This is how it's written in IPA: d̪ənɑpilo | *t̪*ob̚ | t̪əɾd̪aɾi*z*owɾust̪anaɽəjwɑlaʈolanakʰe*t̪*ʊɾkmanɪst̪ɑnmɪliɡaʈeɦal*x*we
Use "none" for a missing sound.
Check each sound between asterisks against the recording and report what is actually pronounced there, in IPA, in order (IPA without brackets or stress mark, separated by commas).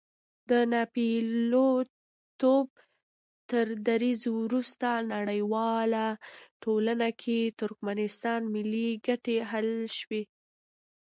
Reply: t̪, z, t̪, ʃ